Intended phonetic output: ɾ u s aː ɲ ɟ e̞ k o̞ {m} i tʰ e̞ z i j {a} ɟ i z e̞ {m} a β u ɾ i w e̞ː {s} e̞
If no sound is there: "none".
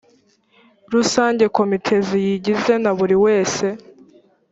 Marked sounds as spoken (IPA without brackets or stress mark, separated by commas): m, i, n, s